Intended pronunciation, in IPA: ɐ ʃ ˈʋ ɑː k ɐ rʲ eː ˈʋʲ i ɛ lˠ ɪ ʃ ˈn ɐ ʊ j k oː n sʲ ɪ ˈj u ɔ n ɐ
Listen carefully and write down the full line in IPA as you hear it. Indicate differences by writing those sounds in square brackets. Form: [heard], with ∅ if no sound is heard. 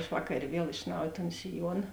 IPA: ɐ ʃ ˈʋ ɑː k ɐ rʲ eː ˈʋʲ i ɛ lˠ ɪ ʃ ˈn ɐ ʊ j [t] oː n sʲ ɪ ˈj u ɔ n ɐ